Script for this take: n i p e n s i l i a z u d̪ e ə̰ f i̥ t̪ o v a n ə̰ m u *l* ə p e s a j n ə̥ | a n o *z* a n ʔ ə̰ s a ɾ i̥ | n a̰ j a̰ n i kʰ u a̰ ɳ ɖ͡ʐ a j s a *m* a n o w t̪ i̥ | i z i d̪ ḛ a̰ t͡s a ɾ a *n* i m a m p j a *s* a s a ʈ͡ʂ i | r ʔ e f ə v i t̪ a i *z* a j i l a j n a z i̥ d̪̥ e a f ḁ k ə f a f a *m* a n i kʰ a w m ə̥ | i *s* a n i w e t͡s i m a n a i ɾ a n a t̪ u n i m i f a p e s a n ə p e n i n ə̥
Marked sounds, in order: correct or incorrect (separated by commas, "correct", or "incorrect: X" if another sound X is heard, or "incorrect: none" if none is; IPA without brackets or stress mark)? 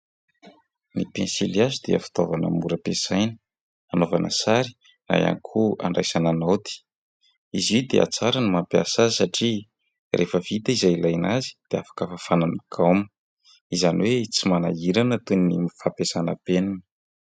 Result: incorrect: ɾ, incorrect: v, incorrect: n, correct, correct, correct, incorrect: n, incorrect: z